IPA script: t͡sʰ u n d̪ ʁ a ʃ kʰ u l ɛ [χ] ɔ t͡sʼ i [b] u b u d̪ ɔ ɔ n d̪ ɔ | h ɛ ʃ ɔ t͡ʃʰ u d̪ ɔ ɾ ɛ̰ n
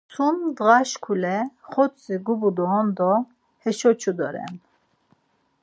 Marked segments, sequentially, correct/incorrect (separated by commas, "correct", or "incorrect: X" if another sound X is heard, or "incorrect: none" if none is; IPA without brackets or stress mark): correct, incorrect: ɡ